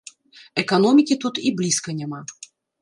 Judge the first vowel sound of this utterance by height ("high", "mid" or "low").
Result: mid